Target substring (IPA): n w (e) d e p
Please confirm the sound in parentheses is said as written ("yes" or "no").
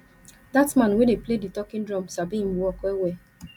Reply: yes